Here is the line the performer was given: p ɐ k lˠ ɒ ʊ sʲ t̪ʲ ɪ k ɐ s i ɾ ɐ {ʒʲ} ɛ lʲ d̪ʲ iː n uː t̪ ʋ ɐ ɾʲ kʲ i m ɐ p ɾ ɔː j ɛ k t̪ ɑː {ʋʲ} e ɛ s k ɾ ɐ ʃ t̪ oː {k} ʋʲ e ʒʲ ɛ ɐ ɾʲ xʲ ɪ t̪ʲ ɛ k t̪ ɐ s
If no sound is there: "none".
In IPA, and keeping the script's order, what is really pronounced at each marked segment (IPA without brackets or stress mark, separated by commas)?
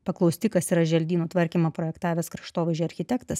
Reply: ʒʲ, ʋʲ, none